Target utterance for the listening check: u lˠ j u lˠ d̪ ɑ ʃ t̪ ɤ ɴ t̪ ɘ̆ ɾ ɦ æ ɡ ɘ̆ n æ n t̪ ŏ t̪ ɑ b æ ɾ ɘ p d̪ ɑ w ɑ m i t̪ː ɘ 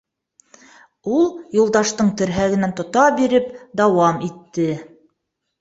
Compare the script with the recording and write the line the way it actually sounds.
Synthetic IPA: u lˠ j u lˠ d̪ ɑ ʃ t̪ ɤ ɴ t̪ ɘ̆ ɾ ɦ æ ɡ ɘ̆ n æ n t̪ ŏ t̪ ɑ b i ɾ ɘ p d̪ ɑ w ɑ m i t̪ː ɘ